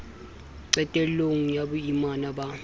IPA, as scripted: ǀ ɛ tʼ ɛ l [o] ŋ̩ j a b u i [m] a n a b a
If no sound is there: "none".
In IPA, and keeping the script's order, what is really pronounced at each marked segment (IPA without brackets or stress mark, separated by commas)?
o, m